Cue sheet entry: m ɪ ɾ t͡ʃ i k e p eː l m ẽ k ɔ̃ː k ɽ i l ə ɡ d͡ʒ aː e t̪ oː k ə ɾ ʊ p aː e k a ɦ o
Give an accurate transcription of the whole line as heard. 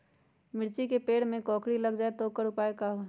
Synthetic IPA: m ɪ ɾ t͡ʃ i k e p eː ɽ m ẽ k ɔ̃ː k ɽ i l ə ɡ d͡ʒ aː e t̪ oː k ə ɾ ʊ p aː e k a ɦ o